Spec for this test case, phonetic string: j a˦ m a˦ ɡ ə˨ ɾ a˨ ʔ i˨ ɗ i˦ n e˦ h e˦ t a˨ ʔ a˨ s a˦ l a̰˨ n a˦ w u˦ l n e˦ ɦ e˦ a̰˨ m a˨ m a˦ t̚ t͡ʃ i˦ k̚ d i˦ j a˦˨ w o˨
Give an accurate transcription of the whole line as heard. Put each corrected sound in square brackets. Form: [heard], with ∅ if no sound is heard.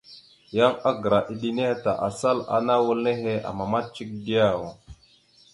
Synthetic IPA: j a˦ [ŋ] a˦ ɡ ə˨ ɾ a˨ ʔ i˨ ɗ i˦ n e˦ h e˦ t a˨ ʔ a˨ s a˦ l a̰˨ n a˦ w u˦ l n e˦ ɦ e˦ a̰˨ m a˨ m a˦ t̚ t͡ʃ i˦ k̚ d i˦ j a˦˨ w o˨

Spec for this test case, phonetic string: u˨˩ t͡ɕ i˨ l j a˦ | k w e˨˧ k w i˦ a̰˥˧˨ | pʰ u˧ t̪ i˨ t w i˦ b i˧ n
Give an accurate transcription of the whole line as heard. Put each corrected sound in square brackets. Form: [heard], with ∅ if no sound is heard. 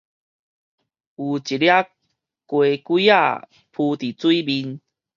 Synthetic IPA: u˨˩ t͡ɕ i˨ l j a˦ | k w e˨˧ k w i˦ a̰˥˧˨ | pʰ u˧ t̪ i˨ [t͡s] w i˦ b i˧ n

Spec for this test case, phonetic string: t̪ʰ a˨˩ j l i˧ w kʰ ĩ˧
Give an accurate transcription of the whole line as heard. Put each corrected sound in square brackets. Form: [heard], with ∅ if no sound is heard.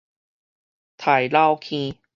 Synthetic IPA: t̪ʰ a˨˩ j l [a˧] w kʰ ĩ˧

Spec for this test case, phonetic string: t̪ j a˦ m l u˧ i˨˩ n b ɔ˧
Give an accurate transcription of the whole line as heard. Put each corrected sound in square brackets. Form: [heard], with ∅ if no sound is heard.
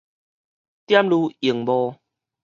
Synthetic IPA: t̪ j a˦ m l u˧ i˨˩ [ŋ] b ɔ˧

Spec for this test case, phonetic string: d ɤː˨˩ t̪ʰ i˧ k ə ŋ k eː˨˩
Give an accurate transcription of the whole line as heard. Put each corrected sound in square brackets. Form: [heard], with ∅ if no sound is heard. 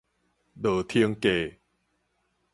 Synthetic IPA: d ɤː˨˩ t̪ʰ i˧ [∅] ə ŋ k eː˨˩

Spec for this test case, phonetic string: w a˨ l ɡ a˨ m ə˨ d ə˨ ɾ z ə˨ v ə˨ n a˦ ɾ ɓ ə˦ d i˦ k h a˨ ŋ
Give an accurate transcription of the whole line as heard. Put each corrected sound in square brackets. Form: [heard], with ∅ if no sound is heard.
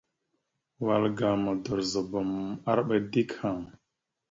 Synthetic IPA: w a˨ l ɡ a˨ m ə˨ d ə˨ ɾ z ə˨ [b] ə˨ [m] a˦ ɾ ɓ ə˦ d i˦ k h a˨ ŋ

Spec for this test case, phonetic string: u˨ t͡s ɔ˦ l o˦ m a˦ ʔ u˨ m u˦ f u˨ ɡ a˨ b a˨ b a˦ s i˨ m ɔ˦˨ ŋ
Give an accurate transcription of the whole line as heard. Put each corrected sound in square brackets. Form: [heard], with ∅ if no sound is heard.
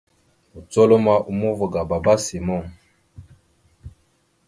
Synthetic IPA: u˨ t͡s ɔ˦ l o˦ m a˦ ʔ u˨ m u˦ [v] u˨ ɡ a˨ b a˨ b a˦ s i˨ m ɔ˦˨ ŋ

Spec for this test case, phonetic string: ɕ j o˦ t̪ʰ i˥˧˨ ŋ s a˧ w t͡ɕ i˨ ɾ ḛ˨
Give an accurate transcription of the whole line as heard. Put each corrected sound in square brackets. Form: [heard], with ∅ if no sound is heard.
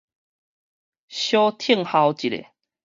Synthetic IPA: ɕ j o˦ t̪ʰ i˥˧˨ ŋ [h] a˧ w t͡ɕ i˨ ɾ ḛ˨

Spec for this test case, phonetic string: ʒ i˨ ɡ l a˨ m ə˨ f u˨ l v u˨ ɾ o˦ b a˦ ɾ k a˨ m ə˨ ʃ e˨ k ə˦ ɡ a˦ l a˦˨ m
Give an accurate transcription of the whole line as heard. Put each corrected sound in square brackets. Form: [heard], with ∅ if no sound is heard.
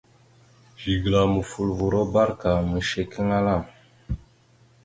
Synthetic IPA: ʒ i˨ ɡ l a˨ m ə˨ f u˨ l v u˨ ɾ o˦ b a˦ ɾ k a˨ m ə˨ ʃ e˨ k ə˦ [ŋ] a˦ l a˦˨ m

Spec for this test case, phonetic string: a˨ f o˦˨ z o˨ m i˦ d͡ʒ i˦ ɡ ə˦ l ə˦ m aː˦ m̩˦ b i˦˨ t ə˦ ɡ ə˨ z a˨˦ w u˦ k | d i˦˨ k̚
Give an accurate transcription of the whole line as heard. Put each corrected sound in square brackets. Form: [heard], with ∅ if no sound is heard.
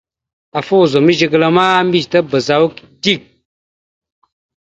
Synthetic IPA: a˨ f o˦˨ z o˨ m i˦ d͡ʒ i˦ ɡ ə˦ l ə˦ m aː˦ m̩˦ b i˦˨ t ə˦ [b] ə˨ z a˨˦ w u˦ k | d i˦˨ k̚

